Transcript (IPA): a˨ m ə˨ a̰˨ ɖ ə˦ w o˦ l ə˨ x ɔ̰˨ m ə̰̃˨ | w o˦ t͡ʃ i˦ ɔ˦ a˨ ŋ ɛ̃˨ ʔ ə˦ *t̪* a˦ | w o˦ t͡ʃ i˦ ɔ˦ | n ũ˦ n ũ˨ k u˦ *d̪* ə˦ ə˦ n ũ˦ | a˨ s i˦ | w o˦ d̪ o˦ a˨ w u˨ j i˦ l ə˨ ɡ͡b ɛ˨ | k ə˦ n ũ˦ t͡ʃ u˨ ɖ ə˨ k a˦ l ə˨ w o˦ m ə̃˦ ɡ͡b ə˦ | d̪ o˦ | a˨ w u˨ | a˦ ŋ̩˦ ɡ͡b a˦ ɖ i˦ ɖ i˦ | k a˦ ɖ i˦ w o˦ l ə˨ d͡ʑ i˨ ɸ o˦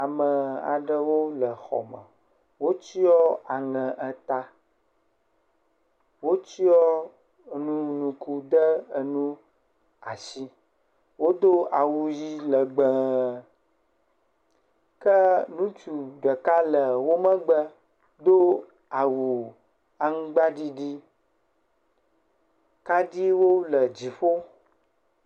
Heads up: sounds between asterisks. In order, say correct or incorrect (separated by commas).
correct, correct